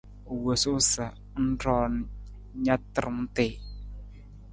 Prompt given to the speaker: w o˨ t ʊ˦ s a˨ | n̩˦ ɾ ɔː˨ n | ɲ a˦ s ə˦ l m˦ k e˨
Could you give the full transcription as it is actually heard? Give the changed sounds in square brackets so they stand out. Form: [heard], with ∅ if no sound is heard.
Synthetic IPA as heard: w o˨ [s] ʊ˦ s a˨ | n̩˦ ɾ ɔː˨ n | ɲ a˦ [t] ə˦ [ɾ] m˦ [t] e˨